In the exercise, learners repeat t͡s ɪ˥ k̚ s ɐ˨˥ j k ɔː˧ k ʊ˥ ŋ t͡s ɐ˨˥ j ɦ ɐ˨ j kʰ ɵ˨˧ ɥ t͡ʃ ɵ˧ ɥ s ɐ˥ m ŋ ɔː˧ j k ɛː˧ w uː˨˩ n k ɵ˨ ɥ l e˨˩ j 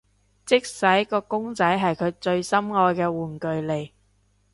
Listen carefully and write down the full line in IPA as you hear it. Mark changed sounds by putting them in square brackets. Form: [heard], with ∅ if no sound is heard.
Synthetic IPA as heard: t͡s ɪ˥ k̚ s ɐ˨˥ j k ɔː˧ k ʊ˥ ŋ t͡s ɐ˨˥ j ɦ ɐ˨ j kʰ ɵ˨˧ ɥ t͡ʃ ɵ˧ ɥ s ɐ˥ m ŋ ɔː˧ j k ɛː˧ w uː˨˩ n k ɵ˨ ɥ l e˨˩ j